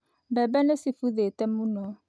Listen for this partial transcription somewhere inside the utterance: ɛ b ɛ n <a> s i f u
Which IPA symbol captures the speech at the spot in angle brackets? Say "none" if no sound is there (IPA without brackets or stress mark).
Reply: e